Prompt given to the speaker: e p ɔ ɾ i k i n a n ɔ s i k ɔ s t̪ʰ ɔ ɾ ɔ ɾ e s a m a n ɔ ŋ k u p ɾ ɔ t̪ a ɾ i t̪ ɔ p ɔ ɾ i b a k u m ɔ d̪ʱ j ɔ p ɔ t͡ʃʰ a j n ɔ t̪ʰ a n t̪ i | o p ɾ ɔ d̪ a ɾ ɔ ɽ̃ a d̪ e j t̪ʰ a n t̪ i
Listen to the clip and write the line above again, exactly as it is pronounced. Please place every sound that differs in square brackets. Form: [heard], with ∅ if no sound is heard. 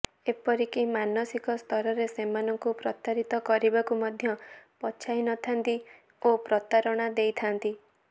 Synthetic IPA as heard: e p ɔ ɾ i k i [m] a n ɔ s i k ɔ s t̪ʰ ɔ ɾ ɔ ɾ e s [e] m a n ɔ ŋ k u p ɾ ɔ t̪ a ɾ i t̪ ɔ [k] ɔ ɾ i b a k u m ɔ d̪ʱ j ɔ p ɔ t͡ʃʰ a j n ɔ t̪ʰ a n t̪ i | o p ɾ ɔ [t̪] a ɾ ɔ ɽ̃ a d̪ e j t̪ʰ a n t̪ i